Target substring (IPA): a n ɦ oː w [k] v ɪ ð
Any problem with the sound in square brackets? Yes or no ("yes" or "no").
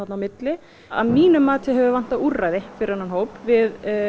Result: yes